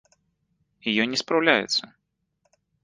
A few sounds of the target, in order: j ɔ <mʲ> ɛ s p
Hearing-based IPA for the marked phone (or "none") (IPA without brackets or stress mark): nʲ